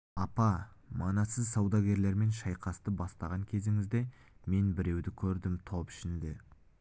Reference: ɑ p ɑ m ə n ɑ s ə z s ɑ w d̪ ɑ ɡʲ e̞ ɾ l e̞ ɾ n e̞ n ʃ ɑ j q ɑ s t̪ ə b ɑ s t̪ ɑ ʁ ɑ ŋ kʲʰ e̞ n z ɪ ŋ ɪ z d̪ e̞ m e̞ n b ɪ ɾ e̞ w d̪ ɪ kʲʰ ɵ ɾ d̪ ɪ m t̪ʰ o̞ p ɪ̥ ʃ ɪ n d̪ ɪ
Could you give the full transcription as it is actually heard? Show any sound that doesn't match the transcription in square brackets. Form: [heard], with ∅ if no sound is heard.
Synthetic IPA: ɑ p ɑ m [ɑ] n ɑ s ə z s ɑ w d̪ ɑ ɡʲ e̞ ɾ l e̞ ɾ [m] e̞ n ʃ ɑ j q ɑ s t̪ ə b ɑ s t̪ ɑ ʁ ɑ ŋ kʲʰ e̞ [∅] z ɪ ŋ ɪ z d̪ e̞ m e̞ n b ɪ ɾ e̞ w d̪ ɪ kʲʰ ɵ ɾ d̪ ɪ m t̪ʰ o̞ p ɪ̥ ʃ ɪ n d̪ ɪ